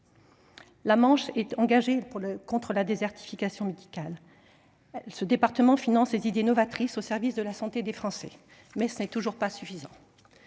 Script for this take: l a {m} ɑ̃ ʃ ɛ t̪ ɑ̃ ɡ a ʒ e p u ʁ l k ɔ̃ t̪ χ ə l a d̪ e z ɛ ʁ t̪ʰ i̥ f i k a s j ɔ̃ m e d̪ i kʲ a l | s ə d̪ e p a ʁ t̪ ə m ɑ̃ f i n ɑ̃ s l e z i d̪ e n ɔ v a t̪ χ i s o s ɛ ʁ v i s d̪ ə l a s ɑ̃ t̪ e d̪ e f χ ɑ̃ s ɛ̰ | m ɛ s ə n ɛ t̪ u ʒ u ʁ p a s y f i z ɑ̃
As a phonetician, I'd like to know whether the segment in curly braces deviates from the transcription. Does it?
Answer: no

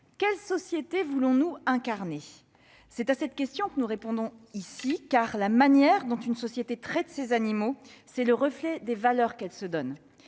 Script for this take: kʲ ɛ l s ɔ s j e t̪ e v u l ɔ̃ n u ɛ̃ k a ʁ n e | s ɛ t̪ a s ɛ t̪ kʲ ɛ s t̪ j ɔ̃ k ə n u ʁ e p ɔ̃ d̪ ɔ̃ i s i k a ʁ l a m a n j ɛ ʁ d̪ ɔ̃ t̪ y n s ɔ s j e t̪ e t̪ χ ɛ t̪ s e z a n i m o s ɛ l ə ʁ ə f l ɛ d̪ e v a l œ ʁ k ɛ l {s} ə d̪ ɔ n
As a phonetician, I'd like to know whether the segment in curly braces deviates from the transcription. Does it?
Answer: no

